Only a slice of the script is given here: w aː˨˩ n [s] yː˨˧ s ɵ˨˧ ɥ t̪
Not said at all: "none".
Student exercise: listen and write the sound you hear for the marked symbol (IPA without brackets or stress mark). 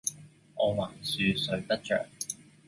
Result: s